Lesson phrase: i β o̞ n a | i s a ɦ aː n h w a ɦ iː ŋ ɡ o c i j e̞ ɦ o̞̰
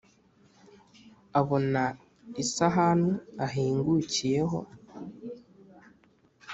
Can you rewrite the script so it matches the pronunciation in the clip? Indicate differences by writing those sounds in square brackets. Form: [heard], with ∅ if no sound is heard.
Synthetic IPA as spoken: [a] β o̞ n a | i s a ɦ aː n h [u] a ɦ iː ŋ ɡ [u] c i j e̞ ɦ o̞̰